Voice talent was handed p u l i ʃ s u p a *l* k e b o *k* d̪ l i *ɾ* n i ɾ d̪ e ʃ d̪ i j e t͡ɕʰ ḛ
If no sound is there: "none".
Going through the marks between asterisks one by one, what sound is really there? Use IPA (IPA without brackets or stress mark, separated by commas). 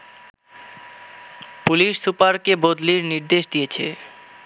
ɾ, none, ɾ